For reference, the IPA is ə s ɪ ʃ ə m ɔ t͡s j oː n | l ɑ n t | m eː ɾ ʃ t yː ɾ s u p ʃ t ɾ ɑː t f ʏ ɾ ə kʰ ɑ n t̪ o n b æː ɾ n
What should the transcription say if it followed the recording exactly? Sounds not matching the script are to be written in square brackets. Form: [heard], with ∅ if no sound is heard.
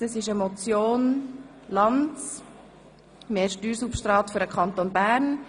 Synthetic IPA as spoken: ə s ɪ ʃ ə m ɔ t͡s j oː n | l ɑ n [t͡s] | m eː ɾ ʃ t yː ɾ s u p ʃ t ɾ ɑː t f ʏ ɾ ə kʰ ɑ n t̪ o n b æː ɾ n